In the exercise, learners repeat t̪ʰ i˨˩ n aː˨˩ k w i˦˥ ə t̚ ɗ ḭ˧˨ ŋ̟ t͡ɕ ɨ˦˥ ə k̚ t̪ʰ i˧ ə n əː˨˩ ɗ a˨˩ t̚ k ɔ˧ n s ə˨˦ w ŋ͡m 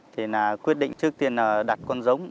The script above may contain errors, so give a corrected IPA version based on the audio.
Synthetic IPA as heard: t̪ʰ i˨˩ n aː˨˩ k w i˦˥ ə t̚ ɗ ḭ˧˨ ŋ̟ t͡ɕ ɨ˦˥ ə k̚ t̪ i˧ ə n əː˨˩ ɗ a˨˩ t̚ k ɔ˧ n z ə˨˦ w ŋ͡m